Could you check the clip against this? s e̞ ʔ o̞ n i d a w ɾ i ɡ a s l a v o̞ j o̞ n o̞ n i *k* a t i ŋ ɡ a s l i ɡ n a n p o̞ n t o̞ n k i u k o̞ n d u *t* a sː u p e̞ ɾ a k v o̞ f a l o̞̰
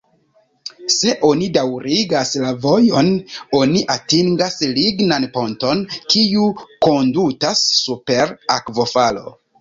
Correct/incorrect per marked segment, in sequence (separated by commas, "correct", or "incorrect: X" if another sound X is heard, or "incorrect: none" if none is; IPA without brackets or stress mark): incorrect: ʔ, correct